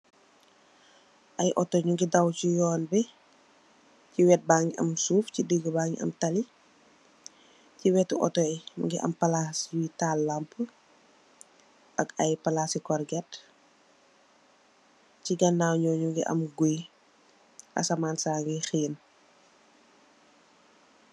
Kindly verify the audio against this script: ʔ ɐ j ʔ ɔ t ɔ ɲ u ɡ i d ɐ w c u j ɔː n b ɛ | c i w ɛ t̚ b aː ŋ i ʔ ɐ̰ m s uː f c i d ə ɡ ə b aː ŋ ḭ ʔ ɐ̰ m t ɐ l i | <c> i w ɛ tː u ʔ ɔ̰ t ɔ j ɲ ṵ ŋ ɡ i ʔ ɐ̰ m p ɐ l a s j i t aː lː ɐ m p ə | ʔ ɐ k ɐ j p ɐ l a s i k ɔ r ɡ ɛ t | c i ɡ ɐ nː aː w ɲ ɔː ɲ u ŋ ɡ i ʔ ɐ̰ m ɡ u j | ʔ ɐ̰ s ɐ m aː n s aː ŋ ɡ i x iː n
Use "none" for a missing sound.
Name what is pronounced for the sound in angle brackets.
c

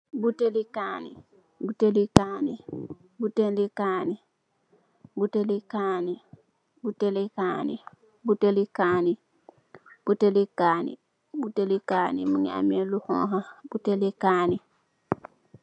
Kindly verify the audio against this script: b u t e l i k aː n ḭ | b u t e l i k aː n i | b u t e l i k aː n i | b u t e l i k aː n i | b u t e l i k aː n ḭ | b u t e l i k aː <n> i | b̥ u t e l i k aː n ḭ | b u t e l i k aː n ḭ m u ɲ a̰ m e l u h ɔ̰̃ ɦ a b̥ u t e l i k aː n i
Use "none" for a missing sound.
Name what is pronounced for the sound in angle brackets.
n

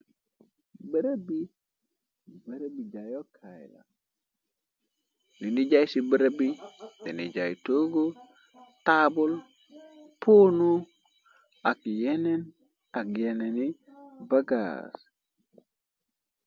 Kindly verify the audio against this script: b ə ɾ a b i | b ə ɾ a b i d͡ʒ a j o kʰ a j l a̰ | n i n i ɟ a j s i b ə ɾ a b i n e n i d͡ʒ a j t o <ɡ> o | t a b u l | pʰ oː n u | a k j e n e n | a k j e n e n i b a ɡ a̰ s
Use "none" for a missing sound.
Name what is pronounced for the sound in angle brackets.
ɡ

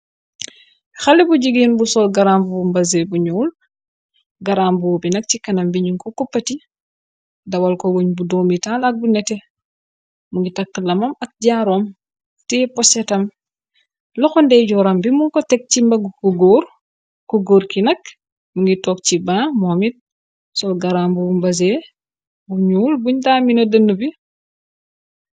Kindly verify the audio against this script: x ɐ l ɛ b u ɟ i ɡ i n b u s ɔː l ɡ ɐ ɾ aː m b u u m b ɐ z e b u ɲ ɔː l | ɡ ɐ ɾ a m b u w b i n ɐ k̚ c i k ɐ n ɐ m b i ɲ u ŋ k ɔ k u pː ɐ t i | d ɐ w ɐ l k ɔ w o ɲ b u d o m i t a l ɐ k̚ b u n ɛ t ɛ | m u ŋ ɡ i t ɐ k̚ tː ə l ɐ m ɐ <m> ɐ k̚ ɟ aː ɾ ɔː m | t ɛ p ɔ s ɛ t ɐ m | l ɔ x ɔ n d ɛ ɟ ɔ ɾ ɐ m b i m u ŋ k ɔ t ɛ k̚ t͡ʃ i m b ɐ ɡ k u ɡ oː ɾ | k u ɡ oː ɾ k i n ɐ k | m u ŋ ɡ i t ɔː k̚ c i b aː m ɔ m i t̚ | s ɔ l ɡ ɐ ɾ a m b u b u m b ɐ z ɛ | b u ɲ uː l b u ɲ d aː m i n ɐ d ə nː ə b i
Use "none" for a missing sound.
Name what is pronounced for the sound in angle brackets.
m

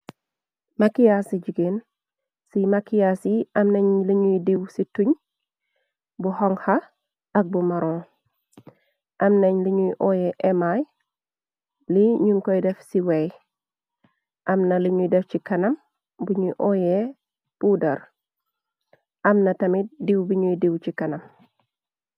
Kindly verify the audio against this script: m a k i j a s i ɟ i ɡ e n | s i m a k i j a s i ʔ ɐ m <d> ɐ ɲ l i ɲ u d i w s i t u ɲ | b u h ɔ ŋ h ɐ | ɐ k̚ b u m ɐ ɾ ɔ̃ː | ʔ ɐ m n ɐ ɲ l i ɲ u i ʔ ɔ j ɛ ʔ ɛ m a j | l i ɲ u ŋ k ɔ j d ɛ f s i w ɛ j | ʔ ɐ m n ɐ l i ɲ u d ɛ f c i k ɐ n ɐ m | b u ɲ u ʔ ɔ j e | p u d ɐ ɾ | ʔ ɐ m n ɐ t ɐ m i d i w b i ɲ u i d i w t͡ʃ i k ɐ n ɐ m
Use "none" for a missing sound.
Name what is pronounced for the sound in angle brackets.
n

